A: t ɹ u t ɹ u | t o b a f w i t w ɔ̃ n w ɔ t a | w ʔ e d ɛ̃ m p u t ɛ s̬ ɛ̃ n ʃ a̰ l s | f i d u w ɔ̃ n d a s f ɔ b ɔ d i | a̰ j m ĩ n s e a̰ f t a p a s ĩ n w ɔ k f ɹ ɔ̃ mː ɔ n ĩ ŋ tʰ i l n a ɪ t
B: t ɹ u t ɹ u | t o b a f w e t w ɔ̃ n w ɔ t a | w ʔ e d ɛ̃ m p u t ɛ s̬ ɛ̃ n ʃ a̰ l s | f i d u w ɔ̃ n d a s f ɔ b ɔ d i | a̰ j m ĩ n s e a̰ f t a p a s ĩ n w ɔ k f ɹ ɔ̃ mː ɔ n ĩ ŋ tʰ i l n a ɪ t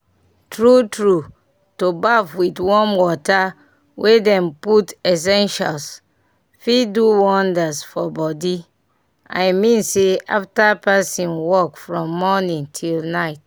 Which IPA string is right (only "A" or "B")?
A